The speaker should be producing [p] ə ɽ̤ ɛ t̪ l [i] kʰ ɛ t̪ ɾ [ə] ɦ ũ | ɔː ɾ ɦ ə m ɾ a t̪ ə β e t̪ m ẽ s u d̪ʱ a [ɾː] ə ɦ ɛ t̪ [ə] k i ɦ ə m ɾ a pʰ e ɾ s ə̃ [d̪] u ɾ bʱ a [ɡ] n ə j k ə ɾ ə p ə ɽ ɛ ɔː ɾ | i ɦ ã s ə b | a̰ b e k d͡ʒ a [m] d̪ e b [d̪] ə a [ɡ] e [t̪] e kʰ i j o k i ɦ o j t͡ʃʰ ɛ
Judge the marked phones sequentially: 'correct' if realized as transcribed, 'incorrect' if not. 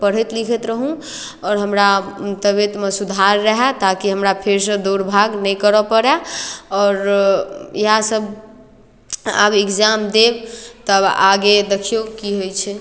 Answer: correct, correct, correct, correct, incorrect: a, correct, correct, correct, incorrect: t̪, correct, incorrect: d̪

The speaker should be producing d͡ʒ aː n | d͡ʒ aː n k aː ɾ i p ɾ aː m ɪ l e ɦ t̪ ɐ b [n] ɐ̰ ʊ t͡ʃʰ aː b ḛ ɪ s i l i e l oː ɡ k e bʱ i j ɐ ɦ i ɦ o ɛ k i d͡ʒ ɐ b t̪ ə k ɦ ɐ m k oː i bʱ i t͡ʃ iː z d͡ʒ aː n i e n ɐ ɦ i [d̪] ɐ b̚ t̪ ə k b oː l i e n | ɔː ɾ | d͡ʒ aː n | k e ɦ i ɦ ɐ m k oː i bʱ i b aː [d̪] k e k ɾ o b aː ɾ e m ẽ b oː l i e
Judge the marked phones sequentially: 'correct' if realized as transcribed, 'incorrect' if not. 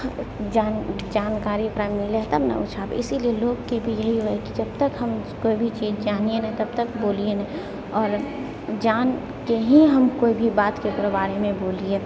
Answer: correct, incorrect: t̪, incorrect: t̪

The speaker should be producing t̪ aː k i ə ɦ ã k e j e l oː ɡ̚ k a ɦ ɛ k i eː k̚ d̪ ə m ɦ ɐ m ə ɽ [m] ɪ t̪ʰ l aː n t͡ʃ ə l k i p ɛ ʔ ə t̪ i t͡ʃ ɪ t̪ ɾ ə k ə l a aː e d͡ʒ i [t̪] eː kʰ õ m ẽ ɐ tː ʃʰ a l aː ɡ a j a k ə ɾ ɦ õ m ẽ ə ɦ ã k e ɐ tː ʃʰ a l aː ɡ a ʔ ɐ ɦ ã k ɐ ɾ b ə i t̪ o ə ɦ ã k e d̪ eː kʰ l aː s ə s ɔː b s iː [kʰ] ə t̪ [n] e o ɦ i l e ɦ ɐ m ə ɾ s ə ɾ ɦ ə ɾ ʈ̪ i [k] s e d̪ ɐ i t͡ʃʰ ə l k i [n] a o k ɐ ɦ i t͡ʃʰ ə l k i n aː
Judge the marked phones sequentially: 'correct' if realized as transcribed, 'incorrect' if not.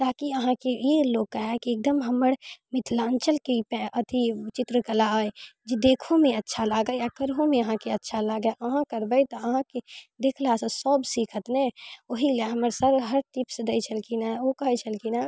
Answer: correct, incorrect: d̪, correct, correct, incorrect: p, correct

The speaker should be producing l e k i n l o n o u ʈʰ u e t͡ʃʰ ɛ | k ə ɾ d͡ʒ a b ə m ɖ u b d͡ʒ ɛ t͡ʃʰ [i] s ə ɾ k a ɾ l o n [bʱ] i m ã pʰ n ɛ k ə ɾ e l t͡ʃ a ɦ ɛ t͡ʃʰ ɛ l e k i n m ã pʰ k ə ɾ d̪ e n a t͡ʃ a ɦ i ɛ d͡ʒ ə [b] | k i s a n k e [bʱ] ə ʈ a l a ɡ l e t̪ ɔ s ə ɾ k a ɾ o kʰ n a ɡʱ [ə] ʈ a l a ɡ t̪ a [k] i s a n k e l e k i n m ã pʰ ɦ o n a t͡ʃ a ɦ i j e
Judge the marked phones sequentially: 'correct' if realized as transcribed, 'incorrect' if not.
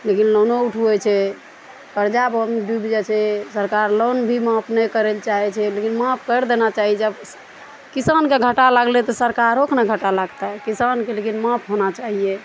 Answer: incorrect: ɛ, correct, correct, incorrect: ɡʱ, correct, correct

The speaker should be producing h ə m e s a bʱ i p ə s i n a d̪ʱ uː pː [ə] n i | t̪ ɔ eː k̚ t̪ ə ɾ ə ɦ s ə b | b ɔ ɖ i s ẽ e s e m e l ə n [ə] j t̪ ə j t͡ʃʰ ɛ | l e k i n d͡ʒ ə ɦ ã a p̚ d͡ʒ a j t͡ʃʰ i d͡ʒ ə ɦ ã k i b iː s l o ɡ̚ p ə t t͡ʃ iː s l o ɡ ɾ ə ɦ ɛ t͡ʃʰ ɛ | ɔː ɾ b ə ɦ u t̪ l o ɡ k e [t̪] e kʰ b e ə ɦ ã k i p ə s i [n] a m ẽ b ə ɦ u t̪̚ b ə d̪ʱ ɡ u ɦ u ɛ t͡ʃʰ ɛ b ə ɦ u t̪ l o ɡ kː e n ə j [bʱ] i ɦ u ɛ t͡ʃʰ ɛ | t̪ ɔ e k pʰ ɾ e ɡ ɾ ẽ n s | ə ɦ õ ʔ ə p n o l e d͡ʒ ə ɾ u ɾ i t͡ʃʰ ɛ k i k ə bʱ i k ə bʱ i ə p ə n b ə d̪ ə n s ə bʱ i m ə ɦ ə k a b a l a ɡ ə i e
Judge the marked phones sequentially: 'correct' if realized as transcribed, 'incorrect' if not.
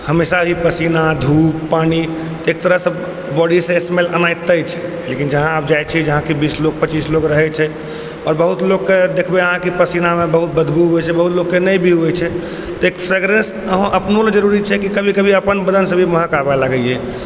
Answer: incorrect: a, incorrect: a, incorrect: d̪, correct, correct

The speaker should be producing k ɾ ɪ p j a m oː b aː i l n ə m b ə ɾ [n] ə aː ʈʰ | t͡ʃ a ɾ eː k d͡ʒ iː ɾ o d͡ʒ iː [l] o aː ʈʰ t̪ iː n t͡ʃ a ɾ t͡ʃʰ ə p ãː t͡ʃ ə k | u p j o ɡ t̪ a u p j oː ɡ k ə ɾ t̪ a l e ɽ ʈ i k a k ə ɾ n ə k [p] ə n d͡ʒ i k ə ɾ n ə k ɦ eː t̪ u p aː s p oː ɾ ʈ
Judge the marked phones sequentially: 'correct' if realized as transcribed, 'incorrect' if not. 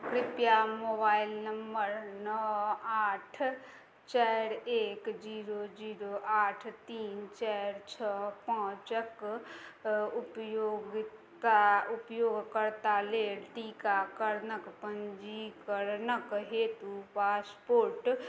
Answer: correct, incorrect: ɾ, correct

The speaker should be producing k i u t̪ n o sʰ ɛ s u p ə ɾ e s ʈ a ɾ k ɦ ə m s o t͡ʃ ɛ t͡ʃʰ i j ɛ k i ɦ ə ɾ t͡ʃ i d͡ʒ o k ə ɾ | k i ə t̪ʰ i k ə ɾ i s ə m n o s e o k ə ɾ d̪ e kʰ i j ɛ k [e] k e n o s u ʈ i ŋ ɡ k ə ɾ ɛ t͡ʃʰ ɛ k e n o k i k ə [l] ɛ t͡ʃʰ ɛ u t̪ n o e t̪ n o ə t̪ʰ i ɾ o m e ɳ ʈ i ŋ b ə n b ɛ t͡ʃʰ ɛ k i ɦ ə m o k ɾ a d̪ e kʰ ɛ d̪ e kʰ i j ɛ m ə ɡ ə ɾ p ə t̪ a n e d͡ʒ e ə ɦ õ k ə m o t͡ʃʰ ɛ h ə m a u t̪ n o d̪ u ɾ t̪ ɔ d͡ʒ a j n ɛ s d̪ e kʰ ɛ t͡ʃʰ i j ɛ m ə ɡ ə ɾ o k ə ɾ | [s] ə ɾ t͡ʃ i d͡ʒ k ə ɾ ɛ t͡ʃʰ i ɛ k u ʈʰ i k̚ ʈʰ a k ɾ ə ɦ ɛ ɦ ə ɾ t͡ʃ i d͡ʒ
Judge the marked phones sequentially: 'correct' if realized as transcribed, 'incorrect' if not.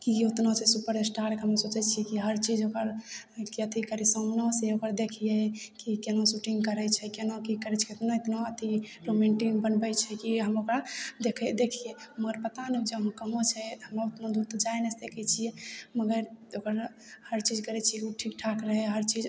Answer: incorrect: i, incorrect: ɾ, incorrect: h

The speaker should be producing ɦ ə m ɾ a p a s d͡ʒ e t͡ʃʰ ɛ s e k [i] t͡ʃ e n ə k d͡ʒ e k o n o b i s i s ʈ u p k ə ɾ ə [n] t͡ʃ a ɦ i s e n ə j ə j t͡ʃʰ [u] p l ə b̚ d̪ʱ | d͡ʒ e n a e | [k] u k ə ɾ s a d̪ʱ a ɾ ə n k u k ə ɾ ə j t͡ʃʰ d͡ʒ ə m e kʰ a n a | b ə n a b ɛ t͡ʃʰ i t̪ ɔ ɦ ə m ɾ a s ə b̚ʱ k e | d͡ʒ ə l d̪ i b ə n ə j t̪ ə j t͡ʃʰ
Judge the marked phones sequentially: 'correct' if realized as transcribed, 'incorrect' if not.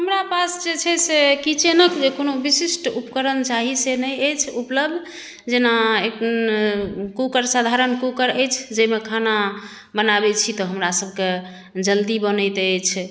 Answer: correct, correct, correct, correct

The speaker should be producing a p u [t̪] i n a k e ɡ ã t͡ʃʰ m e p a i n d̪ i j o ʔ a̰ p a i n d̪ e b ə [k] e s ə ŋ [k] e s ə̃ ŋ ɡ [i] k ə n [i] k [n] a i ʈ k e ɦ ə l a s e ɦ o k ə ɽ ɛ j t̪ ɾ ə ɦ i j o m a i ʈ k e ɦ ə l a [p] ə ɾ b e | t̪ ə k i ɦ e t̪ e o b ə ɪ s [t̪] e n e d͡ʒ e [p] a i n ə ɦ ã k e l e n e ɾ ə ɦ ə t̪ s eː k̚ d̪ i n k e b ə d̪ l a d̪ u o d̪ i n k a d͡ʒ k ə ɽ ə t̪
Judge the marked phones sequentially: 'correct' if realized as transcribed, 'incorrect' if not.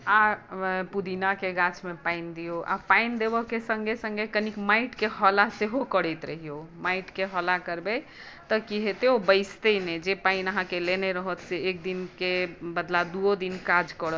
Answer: incorrect: d̪, correct, incorrect: ɡ, incorrect: e, correct, incorrect: m, incorrect: k, correct, correct

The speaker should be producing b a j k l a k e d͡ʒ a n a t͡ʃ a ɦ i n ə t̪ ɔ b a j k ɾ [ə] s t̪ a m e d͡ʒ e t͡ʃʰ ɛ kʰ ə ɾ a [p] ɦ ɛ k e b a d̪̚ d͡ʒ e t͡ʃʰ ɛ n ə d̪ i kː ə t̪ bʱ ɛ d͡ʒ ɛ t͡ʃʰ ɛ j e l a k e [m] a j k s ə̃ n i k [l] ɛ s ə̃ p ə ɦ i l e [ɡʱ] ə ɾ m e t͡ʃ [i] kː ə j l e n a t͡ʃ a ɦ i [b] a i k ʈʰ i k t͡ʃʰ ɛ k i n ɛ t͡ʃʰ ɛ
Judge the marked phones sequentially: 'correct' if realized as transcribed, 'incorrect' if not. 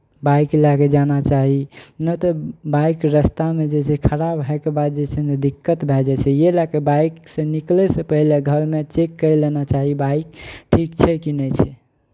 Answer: correct, incorrect: b, incorrect: b, correct, correct, incorrect: e, correct

